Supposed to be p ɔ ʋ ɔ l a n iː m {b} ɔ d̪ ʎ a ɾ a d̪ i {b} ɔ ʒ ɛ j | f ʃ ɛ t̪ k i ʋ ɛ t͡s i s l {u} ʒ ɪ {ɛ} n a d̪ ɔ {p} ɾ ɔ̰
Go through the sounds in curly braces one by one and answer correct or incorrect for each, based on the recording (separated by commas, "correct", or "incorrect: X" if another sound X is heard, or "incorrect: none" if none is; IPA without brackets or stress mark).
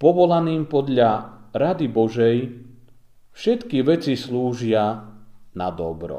incorrect: p, correct, incorrect: uː, incorrect: a, incorrect: b